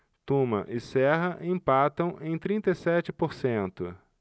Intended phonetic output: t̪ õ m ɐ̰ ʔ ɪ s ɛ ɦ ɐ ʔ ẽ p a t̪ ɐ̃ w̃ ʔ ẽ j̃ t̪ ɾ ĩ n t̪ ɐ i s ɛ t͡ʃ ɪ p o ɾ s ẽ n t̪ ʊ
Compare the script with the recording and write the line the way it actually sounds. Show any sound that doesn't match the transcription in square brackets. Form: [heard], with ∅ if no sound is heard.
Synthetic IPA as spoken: t̪ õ m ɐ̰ ʔ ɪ s ɛ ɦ ɐ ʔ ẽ p a t̪ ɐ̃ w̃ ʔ ẽ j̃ t̪ ɾ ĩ n t̪ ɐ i s ɛ t͡ʃ ɪ p o ɾ s ẽ n t̪ ʊ

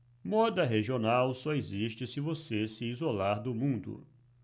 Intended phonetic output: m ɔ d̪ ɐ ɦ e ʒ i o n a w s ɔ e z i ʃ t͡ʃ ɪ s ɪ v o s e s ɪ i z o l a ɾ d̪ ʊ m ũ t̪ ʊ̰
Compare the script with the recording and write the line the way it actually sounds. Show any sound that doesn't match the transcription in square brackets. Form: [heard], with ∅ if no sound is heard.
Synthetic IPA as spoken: m ɔ d̪ ɐ ɦ e ʒ i o n a w s ɔ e z i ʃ t͡ʃ ɪ s ɪ v o s e s ɪ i z o l a ɾ d̪ ʊ m ũ [d̪] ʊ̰

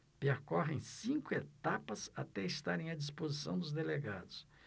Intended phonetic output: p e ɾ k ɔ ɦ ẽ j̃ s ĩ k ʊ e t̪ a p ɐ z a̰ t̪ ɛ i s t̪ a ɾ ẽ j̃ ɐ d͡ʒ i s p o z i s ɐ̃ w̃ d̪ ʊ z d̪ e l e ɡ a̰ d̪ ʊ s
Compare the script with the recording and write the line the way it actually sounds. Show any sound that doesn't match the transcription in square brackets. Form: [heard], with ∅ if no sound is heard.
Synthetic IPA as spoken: p e ɾ k ɔ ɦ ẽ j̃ s ĩ k ʊ e t̪ a p ɐ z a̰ t̪ ɛ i s t̪ a ɾ ẽ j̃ ɐ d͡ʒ i s p o z i s ɐ̃ w̃ d̪ ʊ z d̪ e l e ɡ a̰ d̪ ʊ s

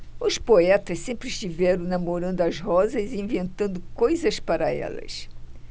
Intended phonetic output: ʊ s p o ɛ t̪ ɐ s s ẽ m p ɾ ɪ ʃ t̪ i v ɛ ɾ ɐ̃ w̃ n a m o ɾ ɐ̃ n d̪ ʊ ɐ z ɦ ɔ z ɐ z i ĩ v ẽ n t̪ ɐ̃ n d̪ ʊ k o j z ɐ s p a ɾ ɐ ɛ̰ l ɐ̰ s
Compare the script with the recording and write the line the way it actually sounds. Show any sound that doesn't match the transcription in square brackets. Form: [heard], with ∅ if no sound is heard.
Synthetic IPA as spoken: ʊ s p o ɛ t̪ ɐ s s ẽ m p ɾ ɪ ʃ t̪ i v ɛ ɾ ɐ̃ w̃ n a m o ɾ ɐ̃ n d̪ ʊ ɐ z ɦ ɔ z ɐ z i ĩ v ẽ n t̪ ɐ̃ n d̪ ʊ k o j z ɐ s p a ɾ ɐ ɛ̰ l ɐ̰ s

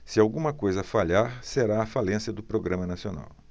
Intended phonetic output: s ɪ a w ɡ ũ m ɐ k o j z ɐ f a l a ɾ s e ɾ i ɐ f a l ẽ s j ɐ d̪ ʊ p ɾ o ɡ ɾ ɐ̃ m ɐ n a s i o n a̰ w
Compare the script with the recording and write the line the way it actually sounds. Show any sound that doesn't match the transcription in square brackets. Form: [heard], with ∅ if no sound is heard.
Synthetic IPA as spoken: s ɪ a w ɡ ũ m ɐ k o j z ɐ f a [ʎ] a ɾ s e ɾ [a] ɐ f a l ẽ s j ɐ d̪ ʊ p ɾ o ɡ ɾ ɐ̃ m ɐ n a s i o n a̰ w

